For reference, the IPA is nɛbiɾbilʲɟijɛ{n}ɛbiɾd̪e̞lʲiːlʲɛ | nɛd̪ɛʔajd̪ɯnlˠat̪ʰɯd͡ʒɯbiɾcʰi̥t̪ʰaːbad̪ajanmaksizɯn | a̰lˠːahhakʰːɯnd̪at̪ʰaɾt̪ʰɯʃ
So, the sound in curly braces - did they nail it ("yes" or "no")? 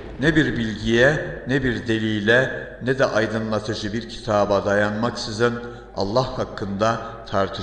yes